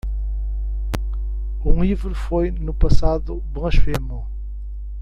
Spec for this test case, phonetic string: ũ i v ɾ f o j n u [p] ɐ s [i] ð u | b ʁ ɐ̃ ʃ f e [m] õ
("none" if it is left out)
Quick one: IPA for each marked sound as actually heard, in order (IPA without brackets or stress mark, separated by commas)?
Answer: p, a, m